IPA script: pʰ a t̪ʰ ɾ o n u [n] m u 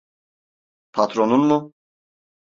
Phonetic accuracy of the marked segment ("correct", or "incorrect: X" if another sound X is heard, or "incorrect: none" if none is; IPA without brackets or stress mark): correct